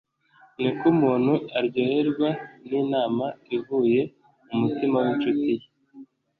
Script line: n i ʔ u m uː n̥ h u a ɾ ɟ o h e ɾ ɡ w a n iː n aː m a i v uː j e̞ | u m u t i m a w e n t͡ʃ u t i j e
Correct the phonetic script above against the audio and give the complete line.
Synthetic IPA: n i k u m uː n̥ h u a ɾ ɟ o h e ɾ ɡ w a n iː n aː m a i v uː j e̞ | u m u t i m a w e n t͡ʃ u t i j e